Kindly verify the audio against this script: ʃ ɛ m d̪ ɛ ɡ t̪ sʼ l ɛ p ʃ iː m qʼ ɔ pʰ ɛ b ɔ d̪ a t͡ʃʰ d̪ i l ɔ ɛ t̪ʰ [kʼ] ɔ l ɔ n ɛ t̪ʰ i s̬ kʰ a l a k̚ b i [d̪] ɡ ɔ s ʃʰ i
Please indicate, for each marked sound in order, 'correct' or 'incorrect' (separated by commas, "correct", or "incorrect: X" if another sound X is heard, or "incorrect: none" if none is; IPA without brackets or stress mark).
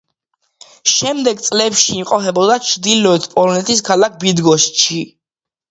incorrect: pʼ, correct